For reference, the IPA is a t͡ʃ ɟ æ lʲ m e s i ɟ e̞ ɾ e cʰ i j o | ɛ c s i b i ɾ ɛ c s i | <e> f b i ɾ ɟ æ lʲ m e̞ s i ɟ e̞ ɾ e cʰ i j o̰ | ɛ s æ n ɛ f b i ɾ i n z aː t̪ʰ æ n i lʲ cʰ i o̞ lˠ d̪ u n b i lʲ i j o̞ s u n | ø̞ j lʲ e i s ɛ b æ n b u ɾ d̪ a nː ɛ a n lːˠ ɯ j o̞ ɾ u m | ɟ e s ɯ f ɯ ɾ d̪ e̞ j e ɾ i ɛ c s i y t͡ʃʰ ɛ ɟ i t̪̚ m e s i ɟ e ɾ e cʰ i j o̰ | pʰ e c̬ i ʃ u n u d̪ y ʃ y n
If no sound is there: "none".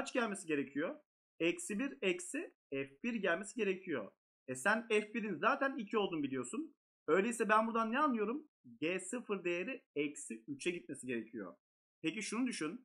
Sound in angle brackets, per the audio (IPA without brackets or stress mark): ɛ